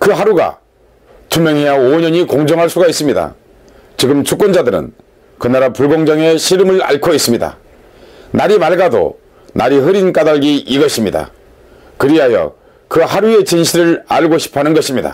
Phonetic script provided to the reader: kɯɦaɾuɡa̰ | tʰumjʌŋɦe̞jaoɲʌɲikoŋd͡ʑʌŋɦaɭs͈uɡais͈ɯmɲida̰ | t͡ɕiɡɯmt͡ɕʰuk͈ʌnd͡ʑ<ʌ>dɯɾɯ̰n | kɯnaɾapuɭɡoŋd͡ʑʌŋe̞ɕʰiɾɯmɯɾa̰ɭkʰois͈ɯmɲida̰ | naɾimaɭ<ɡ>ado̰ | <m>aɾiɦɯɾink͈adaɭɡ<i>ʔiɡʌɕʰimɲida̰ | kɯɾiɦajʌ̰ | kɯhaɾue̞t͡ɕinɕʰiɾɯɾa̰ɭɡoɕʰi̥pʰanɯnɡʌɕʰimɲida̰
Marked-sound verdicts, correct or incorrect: incorrect, correct, incorrect, correct

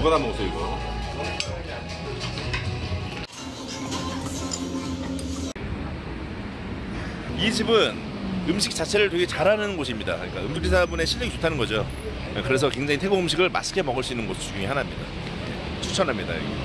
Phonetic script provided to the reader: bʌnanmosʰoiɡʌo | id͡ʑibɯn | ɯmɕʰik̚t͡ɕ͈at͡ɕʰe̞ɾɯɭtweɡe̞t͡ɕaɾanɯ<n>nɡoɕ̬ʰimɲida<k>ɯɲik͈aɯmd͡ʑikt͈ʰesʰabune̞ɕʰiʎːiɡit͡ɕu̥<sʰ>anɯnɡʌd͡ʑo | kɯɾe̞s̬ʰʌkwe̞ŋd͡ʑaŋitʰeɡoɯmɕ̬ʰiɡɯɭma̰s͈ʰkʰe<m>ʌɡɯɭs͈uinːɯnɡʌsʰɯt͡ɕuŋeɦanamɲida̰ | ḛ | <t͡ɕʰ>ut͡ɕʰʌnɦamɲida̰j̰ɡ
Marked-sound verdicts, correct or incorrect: correct, correct, incorrect, correct, correct

